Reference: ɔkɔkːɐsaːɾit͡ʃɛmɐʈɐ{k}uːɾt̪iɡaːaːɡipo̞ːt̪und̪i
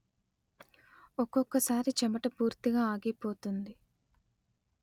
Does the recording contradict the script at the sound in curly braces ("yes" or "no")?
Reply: yes